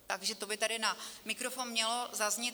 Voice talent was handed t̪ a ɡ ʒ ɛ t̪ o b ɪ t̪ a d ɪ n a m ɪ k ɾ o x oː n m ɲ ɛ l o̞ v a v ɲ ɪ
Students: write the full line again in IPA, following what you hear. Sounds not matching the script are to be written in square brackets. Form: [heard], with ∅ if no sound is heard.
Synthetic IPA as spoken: t̪ a ɡ ʒ ɛ t̪ o b ɪ t̪ a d ɪ n a m ɪ k ɾ o [f] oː n m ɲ ɛ l o̞ [z] a [z] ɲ ɪ